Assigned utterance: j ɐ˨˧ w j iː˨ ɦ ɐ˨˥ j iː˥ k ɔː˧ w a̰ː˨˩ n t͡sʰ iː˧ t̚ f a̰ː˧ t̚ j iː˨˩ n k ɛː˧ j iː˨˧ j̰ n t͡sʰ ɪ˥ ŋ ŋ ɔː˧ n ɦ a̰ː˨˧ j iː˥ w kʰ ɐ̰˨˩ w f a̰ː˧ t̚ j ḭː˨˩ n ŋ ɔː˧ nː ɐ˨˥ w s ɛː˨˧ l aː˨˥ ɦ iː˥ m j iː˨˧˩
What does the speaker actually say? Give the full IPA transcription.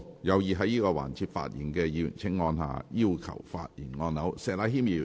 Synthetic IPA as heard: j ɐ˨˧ w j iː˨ ɦ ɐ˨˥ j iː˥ k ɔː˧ w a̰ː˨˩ n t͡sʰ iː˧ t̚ f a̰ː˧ t̚ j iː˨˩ n k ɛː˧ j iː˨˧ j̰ n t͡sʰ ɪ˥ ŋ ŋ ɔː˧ n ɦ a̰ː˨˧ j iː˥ w kʰ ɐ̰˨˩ w f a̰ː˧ t̚ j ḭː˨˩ n ŋ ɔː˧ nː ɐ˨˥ w s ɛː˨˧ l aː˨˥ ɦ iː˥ m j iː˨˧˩

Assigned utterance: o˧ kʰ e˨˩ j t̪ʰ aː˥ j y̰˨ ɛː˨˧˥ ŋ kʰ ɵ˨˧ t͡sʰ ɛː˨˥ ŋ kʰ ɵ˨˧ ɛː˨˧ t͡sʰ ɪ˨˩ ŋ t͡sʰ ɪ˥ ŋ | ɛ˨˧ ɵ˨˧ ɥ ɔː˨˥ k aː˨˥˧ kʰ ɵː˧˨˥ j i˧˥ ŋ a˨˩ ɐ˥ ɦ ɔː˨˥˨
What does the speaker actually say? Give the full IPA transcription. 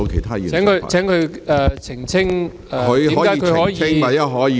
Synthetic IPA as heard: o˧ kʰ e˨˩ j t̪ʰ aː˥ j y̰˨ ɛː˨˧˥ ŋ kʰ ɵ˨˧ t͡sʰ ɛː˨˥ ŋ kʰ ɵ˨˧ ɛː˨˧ t͡sʰ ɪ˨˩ ŋ t͡sʰ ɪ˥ ŋ | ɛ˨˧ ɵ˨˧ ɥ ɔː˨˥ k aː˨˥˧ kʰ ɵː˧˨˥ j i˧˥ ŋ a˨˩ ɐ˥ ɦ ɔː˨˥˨

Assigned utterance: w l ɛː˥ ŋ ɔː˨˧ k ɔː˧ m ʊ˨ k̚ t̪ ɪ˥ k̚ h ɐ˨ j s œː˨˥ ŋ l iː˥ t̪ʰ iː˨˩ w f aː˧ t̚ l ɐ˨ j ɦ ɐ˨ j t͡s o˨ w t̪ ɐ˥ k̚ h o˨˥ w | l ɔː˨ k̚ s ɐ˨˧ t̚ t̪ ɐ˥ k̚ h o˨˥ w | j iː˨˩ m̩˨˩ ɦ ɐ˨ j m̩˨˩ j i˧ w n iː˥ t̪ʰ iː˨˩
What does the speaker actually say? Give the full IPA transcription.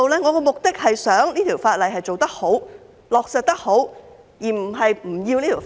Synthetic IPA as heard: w l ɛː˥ ŋ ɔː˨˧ k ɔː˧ m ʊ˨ k̚ t̪ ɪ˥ k̚ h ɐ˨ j s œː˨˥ ŋ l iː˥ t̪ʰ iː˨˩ w f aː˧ t̚ l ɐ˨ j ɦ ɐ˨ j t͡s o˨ w t̪ ɐ˥ k̚ h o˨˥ w | l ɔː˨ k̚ s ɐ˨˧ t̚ t̪ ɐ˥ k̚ h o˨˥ w | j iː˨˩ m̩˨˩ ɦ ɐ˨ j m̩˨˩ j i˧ w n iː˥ t̪ʰ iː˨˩

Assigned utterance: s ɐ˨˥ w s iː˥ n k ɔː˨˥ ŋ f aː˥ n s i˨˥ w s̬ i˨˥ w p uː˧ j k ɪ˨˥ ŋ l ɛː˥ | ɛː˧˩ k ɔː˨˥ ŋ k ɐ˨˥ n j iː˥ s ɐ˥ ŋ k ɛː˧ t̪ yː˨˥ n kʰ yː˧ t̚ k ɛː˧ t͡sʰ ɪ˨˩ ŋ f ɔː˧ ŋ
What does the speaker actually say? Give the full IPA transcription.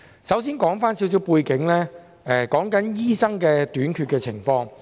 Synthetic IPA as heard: s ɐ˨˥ w s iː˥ n k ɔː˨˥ ŋ f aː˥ n s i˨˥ w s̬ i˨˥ w p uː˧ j k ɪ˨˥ ŋ l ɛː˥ | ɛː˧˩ k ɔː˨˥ ŋ k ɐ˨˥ n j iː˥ s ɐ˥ ŋ k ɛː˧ t̪ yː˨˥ n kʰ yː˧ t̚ k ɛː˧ t͡sʰ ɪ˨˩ ŋ f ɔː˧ ŋ

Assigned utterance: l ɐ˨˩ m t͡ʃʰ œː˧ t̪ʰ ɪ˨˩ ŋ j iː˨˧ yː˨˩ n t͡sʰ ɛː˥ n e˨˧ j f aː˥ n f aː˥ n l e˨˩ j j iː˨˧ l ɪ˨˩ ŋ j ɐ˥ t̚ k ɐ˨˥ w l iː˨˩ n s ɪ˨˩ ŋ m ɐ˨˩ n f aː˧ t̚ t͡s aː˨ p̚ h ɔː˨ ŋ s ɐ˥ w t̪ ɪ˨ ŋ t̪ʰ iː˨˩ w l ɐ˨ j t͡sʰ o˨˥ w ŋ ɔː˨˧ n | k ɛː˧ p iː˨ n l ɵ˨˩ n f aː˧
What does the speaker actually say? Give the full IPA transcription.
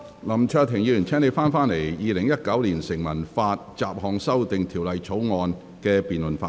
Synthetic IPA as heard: l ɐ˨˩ m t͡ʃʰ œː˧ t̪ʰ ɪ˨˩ ŋ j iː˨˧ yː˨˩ n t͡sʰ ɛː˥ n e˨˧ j f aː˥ n f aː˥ n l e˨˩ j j iː˨˧ l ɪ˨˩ ŋ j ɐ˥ t̚ k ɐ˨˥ w l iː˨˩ n s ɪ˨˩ ŋ m ɐ˨˩ n f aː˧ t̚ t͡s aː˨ p̚ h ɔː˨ ŋ s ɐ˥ w t̪ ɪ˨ ŋ t̪ʰ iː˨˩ w l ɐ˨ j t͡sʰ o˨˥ w ŋ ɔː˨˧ n | k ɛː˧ p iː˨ n l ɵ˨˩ n f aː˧

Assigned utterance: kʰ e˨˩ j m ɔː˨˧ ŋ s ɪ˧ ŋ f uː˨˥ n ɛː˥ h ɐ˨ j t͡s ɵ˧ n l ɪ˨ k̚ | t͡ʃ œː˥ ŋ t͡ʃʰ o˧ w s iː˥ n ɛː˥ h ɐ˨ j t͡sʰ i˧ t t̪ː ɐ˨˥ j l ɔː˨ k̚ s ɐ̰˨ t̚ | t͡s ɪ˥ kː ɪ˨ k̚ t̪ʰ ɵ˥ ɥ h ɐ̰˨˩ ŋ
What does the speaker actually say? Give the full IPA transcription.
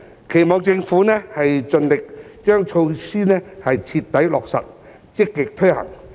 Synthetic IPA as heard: kʰ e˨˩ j m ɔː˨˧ ŋ t͡s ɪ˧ ŋ f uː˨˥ n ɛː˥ h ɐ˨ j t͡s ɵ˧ n l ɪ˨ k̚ | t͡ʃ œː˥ ŋ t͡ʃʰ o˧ w s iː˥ n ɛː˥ h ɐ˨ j t͡sʰ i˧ t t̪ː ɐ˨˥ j l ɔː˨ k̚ s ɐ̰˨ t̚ | t͡s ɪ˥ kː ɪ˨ k̚ t̪ʰ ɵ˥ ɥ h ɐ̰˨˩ ŋ

